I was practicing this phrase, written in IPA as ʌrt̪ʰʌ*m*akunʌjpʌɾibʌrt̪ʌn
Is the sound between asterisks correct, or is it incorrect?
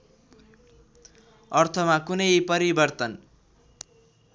correct